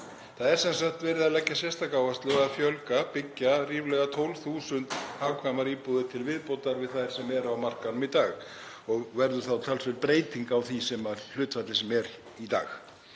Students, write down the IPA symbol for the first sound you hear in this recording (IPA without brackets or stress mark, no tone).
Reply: θ